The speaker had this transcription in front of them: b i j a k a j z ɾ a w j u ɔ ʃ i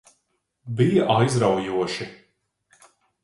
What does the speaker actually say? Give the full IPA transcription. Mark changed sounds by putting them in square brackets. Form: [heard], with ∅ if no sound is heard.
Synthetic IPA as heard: b i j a [ʔ] a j z ɾ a w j u ɔ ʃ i